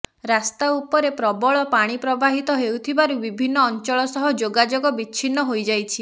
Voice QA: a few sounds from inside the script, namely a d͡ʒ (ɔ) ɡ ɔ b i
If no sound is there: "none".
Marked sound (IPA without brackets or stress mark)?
o